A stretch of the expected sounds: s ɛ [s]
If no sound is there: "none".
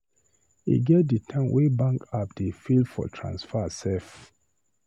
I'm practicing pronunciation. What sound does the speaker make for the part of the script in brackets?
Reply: f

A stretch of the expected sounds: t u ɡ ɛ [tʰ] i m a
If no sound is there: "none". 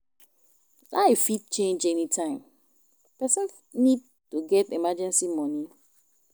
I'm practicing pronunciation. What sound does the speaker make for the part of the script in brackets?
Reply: t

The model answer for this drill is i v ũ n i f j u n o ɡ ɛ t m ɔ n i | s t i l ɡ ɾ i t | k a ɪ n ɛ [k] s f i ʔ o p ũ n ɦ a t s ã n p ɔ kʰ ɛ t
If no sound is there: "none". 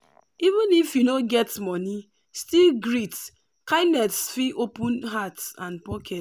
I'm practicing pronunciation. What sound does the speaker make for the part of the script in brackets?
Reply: t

